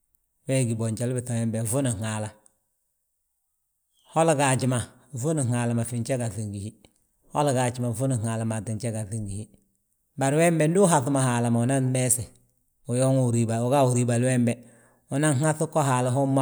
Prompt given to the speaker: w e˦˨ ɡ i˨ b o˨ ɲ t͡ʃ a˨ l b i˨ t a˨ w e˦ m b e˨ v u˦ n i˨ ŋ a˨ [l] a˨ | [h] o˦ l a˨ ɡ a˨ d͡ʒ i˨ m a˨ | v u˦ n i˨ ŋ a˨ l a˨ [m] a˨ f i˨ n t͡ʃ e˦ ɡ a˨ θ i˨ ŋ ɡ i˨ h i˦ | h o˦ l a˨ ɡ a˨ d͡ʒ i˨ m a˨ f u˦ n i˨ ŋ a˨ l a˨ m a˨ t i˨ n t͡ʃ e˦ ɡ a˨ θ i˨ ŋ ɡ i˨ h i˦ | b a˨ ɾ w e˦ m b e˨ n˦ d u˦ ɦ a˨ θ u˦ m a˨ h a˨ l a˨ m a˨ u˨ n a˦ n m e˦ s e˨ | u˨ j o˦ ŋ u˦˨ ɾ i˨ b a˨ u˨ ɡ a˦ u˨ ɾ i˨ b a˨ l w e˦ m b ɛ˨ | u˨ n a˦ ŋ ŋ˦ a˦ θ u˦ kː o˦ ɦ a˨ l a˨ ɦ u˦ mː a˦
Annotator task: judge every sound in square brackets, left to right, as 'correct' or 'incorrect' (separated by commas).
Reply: correct, correct, correct